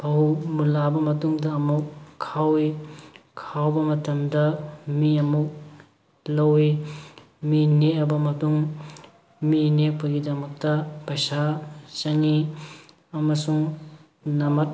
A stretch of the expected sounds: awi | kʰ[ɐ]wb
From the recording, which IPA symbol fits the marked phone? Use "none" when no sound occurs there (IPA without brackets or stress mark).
a